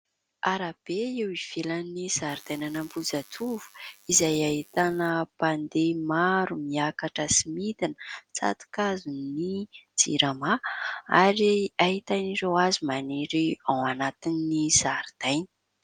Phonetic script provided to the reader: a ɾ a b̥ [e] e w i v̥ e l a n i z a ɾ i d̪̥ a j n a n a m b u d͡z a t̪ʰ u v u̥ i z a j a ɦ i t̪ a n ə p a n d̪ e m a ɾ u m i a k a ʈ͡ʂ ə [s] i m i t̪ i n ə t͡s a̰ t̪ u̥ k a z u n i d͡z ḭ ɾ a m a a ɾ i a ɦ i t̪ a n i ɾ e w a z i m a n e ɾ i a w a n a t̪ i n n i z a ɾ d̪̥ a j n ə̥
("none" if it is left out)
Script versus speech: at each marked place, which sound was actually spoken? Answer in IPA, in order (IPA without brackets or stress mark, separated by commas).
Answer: e, s